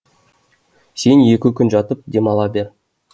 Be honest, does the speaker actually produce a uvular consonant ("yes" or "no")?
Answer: no